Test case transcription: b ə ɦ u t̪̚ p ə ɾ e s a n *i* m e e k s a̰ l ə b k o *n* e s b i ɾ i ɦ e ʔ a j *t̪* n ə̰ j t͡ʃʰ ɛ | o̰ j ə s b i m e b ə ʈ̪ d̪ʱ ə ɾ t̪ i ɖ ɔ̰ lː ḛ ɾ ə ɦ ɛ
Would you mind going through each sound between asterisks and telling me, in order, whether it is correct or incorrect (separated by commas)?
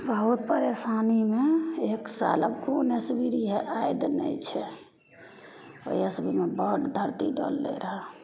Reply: correct, correct, incorrect